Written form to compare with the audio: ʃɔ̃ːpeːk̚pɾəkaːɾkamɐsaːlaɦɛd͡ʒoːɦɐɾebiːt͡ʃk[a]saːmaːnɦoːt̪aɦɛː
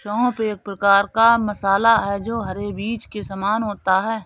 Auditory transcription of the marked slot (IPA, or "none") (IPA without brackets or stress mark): e